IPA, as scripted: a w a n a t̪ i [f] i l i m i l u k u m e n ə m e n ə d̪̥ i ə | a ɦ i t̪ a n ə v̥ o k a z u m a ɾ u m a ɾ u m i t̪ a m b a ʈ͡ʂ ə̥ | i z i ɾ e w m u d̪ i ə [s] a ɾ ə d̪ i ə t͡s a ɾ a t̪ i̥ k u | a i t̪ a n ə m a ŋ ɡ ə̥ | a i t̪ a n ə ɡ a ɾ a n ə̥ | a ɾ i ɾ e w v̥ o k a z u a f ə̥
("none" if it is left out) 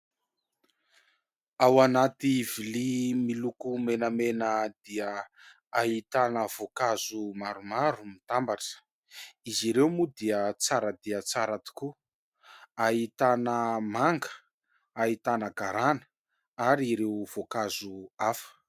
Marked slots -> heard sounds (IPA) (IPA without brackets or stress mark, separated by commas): v, t͡s